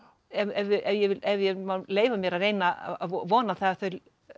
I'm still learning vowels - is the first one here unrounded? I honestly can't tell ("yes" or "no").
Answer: yes